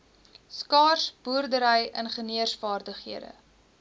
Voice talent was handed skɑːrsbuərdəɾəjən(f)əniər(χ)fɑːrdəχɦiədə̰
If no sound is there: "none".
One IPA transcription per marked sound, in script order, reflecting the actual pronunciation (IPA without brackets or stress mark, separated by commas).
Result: χ, s